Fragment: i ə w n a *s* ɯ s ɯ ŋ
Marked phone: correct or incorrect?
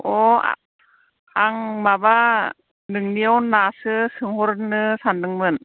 correct